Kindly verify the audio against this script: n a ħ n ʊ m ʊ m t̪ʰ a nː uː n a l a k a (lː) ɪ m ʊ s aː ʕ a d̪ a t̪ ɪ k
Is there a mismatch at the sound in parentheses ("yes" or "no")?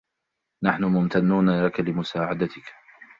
yes